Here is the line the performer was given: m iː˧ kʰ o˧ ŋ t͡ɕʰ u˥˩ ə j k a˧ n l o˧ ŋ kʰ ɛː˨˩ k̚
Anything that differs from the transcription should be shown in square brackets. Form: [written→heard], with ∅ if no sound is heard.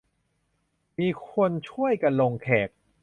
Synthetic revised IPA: m iː˧ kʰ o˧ [ŋ→n] t͡ɕʰ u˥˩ ə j k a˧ n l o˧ ŋ kʰ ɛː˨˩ k̚